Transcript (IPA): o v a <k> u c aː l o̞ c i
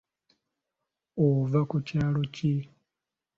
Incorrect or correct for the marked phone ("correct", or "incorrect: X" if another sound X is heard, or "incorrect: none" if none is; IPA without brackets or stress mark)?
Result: correct